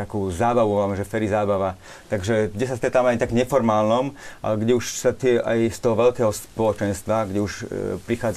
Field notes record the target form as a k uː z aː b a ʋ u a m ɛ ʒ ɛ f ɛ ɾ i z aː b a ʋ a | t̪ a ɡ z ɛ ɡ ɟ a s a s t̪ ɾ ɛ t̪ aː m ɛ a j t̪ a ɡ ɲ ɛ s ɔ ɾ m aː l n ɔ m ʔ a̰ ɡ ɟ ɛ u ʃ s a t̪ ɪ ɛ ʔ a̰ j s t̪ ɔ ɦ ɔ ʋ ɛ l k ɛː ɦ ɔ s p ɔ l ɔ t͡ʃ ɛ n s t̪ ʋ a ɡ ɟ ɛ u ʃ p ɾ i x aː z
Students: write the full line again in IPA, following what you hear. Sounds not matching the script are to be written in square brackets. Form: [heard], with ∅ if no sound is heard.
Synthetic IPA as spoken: a k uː z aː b a ʋ u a m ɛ ʒ ɛ f ɛ ɾ i z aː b a ʋ a | t̪ a ɡ [ʒ] ɛ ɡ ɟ [ɛ] s a s t̪ ɾ ɛ t̪ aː m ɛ a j t̪ a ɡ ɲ ɛ [f] ɔ ɾ m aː l n ɔ m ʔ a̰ ɡ ɟ ɛ u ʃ s a t̪ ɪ ɛ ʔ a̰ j s t̪ ɔ ɦ ɔ ʋ ɛ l k ɛː ɦ ɔ s p ɔ l ɔ t͡ʃ ɛ n s t̪ ʋ a ɡ ɟ ɛ u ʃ p ɾ i x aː [d͡z]